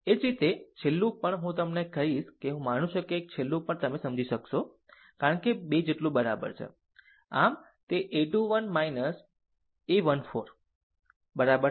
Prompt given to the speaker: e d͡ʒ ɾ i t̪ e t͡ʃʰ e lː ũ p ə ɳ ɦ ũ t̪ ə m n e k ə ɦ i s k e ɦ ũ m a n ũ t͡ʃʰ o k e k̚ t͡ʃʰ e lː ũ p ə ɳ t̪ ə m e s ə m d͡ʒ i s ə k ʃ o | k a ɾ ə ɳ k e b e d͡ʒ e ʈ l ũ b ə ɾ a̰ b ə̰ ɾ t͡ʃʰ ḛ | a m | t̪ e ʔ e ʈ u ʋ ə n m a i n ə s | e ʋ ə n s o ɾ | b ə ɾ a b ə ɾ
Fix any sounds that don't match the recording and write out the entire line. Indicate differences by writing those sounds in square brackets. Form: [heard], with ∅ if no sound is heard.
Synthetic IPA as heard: e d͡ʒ ɾ i t̪ e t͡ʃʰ e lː ũ p ə ɳ ɦ ũ t̪ ə m n e k ə ɦ i [ʃ] k e ɦ ũ m a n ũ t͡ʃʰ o k e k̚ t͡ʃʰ e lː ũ p ə ɳ t̪ ə m e s ə m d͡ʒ i [ʃ] ə k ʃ o | k a ɾ ə ɳ k e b e d͡ʒ e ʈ l ũ b ə ɾ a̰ b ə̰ ɾ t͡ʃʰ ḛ | a m | t̪ e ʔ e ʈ u ʋ ə n m a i n ə s | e ʋ ə n [f] o ɾ | b ə ɾ a b ə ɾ